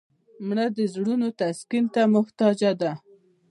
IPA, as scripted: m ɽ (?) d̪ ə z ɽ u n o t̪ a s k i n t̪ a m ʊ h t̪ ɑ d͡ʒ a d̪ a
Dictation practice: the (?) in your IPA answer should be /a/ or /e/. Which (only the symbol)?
a